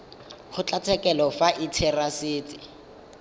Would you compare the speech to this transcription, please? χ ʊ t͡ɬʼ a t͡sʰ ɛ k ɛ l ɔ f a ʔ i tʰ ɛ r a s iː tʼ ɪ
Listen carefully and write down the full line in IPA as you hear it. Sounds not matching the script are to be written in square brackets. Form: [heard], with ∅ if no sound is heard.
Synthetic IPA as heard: χ ʊ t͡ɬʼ a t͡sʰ ɛ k ɛ l ɔ f a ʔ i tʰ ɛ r a s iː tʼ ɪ